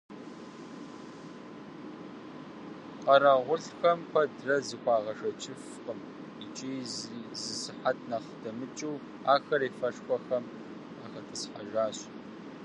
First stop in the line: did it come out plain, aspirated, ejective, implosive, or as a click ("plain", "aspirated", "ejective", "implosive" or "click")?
plain